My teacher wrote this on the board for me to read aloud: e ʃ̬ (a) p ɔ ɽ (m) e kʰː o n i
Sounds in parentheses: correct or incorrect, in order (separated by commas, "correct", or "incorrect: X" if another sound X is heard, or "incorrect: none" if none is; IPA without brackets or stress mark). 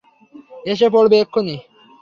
incorrect: e, incorrect: b